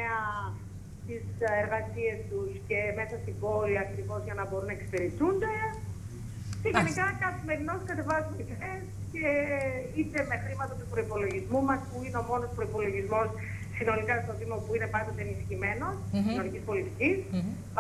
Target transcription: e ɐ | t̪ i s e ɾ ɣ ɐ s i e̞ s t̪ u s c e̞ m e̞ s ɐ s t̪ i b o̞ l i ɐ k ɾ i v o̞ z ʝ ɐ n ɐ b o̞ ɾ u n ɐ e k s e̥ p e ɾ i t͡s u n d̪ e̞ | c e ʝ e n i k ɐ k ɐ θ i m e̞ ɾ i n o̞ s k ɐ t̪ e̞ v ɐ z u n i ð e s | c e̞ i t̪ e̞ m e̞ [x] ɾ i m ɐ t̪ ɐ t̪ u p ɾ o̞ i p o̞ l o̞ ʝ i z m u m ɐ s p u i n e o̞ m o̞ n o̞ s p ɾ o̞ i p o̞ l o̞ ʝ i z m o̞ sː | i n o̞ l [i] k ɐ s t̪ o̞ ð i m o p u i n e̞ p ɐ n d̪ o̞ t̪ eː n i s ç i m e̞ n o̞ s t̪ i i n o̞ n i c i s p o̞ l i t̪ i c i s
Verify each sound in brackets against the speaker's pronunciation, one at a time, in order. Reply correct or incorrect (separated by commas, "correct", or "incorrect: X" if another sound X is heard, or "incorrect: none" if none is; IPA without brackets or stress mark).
correct, correct